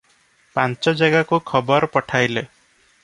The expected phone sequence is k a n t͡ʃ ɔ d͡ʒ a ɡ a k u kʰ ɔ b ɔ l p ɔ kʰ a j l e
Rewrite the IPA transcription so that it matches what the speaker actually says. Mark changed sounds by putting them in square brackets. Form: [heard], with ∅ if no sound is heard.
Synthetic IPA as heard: [p] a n t͡ʃ ɔ d͡ʒ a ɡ a k u kʰ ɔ b ɔ [ɾ] p ɔ [ʈʰ] a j l e